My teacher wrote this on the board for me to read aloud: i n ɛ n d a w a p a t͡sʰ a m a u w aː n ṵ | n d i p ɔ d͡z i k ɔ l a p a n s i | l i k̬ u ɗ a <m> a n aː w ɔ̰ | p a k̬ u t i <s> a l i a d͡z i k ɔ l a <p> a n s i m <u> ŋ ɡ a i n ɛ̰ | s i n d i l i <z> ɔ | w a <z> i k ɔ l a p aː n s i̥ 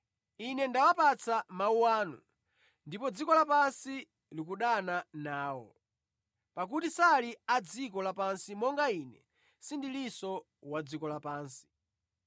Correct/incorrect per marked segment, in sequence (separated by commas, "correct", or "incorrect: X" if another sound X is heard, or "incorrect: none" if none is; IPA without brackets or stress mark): incorrect: n, correct, correct, incorrect: ɔ, incorrect: s, incorrect: d͡z